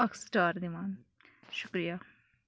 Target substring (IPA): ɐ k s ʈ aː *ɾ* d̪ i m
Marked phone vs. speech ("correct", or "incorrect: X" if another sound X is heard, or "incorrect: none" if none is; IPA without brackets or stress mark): correct